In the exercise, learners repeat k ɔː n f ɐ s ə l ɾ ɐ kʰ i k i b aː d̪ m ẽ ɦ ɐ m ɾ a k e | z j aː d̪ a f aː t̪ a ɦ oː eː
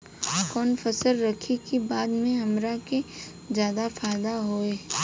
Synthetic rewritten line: k ɔː n f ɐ s ə l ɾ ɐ kʰ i k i b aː d̪ m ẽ ɦ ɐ m ɾ a k e | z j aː d̪ a f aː d̪ a ɦ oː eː